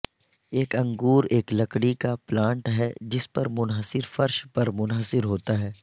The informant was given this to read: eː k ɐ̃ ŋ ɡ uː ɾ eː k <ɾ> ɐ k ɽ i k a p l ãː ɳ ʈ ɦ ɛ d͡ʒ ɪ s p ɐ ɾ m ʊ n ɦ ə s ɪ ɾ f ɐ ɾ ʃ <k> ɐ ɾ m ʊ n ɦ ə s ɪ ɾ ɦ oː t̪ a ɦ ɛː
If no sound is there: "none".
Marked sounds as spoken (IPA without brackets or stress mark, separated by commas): l, p